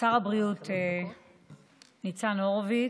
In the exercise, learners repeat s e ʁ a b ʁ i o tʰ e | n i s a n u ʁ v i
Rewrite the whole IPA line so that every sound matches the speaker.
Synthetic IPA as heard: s a ʁ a b ʁ i u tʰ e | n i t͡s a n o ʁ v i